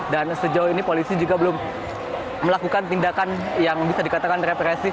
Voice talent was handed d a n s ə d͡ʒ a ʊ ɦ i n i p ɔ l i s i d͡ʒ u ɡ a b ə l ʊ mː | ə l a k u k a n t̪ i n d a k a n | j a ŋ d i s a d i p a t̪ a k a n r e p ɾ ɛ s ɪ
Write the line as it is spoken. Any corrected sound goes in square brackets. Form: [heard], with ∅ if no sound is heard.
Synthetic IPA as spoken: d a n s ə d͡ʒ a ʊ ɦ i n i p [o] l i s i d͡ʒ u ɡ a b ə l ʊ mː | ə l a k u k a n t̪ i n d a k a n | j a ŋ [b] i s a d i [k] a t̪ a k a n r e p ɾ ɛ s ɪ